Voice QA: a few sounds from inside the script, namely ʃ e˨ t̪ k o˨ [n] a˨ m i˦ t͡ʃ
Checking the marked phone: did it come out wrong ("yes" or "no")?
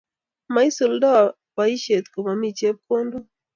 yes